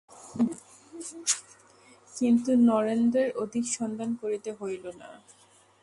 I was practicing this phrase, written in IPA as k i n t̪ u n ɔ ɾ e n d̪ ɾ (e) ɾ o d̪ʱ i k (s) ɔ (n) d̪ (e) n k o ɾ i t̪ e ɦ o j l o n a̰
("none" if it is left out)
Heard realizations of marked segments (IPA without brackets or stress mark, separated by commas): e, ʃ, n, a